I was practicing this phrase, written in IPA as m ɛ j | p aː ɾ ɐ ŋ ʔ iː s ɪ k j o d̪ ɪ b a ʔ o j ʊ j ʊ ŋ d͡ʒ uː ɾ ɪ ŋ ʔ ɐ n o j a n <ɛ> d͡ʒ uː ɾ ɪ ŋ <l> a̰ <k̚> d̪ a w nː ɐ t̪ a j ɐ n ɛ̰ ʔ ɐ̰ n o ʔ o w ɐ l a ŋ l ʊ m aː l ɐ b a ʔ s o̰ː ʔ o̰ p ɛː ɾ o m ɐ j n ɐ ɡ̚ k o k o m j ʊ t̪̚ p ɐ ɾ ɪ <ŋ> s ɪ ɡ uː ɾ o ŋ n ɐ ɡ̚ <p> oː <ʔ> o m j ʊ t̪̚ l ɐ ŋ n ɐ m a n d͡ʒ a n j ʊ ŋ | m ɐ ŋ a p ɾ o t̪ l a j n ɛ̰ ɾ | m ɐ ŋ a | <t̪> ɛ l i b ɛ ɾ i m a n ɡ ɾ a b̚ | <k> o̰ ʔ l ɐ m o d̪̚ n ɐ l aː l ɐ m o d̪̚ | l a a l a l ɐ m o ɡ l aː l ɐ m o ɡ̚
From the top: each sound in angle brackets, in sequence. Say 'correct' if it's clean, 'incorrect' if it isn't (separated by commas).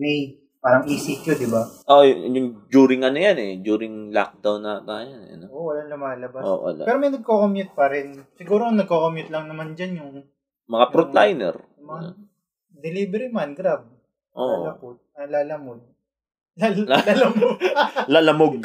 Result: correct, correct, correct, incorrect, incorrect, incorrect, incorrect, incorrect